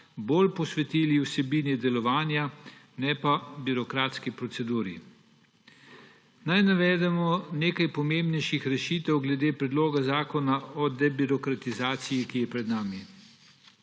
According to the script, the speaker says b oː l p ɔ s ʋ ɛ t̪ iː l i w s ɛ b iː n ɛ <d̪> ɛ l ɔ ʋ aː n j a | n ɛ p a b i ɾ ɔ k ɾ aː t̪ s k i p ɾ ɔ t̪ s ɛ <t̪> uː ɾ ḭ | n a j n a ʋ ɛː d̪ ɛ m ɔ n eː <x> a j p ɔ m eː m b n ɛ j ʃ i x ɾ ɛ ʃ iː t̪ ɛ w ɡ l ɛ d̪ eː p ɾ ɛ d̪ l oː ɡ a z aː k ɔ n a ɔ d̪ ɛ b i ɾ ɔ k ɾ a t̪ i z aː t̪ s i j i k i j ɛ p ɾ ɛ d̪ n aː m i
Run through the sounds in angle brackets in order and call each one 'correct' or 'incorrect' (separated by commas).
correct, incorrect, incorrect